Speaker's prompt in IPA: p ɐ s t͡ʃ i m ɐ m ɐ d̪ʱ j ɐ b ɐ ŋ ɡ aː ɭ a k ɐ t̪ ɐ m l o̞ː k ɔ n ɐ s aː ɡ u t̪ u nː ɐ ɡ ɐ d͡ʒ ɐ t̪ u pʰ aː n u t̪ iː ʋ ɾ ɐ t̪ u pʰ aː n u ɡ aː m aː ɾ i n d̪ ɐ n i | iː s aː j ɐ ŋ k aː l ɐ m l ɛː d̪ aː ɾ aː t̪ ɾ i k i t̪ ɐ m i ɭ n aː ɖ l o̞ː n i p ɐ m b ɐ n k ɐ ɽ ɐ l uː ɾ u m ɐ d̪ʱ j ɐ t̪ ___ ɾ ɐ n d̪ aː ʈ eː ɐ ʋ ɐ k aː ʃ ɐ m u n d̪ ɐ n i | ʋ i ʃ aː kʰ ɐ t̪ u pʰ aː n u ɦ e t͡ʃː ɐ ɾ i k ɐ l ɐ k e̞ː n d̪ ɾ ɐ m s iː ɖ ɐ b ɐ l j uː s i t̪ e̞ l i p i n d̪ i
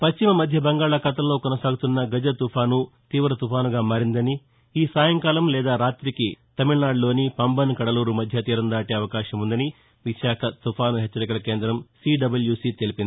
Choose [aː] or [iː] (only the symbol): iː